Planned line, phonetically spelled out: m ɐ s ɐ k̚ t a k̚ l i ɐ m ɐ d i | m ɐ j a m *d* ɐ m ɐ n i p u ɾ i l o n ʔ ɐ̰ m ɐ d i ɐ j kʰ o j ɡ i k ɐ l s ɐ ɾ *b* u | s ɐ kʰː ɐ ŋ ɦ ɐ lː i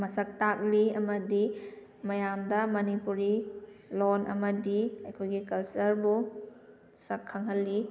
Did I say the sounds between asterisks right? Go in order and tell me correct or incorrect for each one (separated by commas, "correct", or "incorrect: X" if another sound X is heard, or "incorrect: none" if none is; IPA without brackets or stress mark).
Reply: correct, correct